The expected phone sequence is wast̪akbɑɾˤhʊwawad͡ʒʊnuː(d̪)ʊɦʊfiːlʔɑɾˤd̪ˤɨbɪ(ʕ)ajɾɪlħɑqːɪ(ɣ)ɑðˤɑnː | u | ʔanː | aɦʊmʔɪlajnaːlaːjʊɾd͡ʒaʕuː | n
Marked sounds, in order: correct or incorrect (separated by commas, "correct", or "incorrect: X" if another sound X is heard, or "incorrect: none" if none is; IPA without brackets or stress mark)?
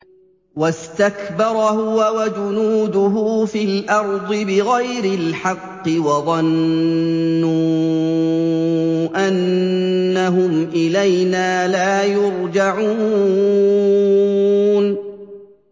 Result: correct, incorrect: ɣ, incorrect: w